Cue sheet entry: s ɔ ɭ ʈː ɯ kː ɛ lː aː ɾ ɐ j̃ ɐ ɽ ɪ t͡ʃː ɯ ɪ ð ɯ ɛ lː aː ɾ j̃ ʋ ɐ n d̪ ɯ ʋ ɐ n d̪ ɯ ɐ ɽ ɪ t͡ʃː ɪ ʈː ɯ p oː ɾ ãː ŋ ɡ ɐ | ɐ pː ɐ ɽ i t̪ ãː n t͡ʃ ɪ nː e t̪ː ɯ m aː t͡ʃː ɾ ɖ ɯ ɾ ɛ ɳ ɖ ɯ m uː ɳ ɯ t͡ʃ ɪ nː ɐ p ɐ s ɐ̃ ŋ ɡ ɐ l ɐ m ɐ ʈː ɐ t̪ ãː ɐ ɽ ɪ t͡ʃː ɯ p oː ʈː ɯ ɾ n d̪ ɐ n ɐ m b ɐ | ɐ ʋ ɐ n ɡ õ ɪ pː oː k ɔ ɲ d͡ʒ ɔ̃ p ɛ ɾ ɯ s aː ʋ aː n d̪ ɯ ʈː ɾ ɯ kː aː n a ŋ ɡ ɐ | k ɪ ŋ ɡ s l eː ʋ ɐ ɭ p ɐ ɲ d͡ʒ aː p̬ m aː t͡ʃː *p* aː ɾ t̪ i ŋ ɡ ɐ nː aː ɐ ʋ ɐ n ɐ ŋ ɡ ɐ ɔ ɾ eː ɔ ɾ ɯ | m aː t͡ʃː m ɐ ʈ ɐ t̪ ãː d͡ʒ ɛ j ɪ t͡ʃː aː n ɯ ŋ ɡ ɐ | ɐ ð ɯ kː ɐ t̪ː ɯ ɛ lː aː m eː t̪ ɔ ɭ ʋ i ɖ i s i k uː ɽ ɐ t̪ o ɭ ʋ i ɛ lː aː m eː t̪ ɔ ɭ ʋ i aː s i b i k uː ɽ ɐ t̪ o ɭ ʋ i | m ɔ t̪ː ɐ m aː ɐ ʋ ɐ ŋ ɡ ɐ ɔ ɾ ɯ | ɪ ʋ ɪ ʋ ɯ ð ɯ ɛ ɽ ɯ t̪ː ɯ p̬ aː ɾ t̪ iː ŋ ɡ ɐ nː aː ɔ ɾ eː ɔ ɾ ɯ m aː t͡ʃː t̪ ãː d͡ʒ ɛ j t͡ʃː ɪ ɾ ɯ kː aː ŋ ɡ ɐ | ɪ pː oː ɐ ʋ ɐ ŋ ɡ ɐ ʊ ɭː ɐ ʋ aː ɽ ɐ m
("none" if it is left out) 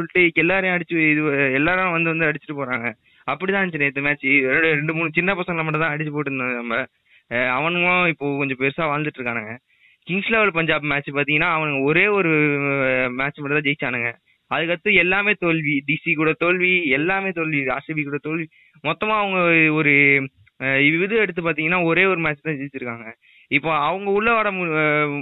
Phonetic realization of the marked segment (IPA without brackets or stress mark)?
p